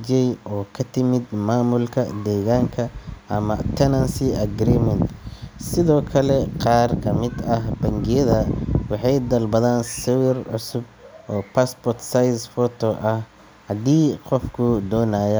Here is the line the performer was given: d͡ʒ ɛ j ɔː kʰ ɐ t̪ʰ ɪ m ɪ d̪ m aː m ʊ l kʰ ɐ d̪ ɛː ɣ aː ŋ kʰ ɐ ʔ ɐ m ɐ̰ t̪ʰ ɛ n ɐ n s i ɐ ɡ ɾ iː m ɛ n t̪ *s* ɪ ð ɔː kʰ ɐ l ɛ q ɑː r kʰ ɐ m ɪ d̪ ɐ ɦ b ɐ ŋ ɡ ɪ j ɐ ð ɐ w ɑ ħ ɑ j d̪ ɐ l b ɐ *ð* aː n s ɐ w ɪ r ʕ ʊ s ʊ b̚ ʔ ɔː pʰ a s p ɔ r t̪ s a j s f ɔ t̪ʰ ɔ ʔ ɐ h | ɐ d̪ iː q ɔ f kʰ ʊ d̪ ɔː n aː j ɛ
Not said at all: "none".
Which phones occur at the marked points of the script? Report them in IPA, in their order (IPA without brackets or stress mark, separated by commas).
s, ð